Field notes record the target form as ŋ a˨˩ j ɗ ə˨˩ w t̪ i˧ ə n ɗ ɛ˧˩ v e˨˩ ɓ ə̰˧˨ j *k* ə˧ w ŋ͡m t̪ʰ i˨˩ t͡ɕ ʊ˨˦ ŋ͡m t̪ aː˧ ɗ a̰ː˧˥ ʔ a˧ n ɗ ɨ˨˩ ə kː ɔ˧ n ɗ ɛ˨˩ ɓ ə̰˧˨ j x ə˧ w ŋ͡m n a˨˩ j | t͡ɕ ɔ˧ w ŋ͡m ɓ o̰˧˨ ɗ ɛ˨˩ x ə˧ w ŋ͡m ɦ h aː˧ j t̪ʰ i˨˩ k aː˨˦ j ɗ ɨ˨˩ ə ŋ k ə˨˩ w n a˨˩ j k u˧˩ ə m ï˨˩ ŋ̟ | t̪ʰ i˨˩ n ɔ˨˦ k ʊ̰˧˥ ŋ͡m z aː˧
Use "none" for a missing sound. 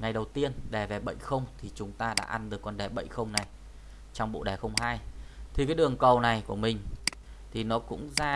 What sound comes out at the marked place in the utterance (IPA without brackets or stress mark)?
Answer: x